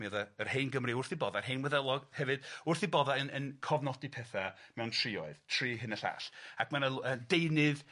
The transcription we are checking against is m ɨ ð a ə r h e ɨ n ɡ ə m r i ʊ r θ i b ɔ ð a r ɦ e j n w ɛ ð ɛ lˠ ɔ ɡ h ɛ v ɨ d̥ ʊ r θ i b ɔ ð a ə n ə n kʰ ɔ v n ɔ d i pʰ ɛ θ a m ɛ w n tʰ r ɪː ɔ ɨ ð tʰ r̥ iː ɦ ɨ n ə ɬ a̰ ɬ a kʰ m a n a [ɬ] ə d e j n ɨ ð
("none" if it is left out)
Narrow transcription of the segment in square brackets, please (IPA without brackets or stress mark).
none